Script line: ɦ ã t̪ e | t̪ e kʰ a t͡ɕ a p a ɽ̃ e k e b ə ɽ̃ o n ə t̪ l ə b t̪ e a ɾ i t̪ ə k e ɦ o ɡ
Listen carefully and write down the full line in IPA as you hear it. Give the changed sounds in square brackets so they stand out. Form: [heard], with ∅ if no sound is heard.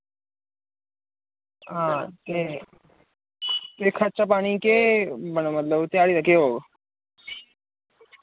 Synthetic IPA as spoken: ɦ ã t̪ e | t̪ e kʰ a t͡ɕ a p a ɽ̃ [i] k e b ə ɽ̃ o [m] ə t̪ l ə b t̪ e a [ɽ] i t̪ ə k e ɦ o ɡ